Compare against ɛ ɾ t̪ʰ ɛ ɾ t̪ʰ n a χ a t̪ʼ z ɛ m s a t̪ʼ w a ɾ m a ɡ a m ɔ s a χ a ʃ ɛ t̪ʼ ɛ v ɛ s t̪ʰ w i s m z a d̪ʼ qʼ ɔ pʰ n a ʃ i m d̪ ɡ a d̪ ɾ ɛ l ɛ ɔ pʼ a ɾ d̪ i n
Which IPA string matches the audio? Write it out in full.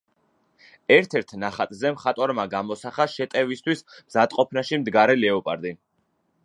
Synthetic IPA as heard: ɛ ɾ t̪ʰ ɛ ɾ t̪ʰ n a χ a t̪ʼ z ɛ m χ a t̪ʼ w a ɾ m a ɡ a m ɔ s a χ a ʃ ɛ t̪ʼ ɛ v i s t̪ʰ w i s m z a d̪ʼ qʼ ɔ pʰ n a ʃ i m d̪ ɡ a ɾ ɛ l ɛ ɔ pʼ a ɾ d̪ i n